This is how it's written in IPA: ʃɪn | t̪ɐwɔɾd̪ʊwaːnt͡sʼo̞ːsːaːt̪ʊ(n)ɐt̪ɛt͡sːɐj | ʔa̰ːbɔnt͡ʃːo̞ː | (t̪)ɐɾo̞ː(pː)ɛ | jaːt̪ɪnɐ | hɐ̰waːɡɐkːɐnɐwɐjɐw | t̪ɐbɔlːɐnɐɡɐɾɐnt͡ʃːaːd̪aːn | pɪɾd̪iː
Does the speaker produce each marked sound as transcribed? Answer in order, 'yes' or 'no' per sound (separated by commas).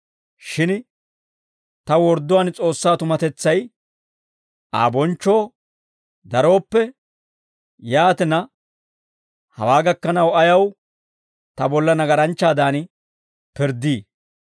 no, no, yes